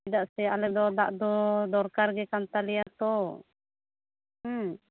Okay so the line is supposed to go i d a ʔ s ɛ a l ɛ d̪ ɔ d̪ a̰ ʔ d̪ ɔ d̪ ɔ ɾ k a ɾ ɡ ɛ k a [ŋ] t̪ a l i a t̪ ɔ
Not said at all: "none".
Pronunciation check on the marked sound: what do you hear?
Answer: n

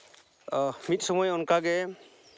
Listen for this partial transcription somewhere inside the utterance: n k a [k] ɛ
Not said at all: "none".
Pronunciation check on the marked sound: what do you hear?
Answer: ɡ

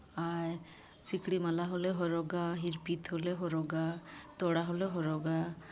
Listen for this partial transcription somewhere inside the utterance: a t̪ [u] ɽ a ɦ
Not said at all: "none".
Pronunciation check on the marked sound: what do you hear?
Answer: ɔ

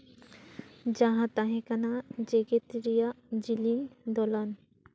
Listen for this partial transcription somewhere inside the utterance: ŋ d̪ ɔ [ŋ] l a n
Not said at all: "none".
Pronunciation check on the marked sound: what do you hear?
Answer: none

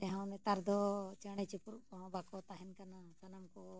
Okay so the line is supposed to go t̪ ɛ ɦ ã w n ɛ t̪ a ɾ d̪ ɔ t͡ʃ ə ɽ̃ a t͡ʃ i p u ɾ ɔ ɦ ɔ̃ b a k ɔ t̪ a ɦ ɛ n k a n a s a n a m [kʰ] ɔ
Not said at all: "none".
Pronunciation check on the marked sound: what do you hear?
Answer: k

